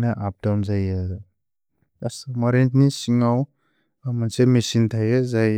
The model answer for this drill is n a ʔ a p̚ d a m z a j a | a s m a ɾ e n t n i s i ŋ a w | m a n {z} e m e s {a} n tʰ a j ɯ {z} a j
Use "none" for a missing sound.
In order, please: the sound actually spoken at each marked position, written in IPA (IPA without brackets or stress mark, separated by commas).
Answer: s, i, z